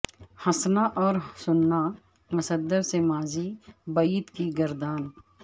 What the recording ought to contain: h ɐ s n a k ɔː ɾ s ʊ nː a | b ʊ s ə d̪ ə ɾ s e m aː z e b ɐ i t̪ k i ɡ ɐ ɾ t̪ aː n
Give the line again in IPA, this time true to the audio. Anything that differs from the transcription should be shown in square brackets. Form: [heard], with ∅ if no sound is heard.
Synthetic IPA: h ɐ s n a [ʔ] ɔː ɾ s ʊ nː a | [m] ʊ s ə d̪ ə ɾ s e m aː z [i] b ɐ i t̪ k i ɡ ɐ ɾ [d̪] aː n